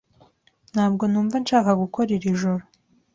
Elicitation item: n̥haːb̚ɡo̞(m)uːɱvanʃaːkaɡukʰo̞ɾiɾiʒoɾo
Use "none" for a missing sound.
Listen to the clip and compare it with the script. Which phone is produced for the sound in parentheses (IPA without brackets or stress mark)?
n